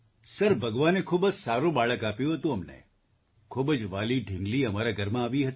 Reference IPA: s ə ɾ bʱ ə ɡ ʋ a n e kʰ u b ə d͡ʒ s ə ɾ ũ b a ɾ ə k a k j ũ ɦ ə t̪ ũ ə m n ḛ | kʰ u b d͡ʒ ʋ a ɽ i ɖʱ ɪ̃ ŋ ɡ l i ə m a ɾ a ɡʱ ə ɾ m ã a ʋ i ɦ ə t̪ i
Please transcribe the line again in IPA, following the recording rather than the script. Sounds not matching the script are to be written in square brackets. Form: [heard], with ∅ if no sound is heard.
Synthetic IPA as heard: s ə ɾ bʱ ə ɡ ʋ a n e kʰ u b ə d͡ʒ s [a] ɾ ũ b a [ɭ] ə k a [p] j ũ ɦ ə t̪ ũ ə m n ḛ | kʰ u b d͡ʒ ʋ a [l] i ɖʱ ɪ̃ ŋ ɡ l i ə m a ɾ a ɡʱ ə ɾ m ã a ʋ i ɦ ə t̪ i